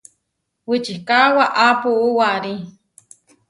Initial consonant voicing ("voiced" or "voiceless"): voiced